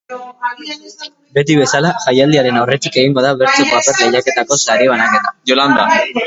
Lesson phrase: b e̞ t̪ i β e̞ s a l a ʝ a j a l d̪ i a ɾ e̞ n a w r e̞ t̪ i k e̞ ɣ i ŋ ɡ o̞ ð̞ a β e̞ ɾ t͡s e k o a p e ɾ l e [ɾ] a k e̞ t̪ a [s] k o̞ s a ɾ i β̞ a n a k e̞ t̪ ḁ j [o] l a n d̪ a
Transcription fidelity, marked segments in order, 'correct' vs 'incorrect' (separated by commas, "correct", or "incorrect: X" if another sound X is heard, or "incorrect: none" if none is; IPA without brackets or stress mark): incorrect: ʎ, incorrect: none, correct